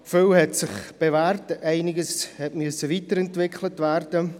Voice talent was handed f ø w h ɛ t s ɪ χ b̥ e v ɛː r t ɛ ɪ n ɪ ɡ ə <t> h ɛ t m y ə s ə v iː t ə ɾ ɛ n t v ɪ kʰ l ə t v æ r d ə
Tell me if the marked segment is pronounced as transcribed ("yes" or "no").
no